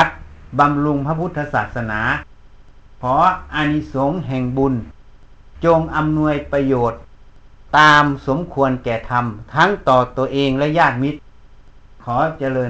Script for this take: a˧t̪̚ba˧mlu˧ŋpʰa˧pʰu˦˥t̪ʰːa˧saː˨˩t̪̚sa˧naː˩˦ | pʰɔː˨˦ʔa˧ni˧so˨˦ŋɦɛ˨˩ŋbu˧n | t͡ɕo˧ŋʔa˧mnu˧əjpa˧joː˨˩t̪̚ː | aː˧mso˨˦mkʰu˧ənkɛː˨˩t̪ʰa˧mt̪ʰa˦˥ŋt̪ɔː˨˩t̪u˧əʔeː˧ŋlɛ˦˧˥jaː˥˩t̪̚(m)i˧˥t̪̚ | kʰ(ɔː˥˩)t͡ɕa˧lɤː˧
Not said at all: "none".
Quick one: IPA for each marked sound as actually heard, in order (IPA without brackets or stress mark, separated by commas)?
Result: m, ɔː˨˦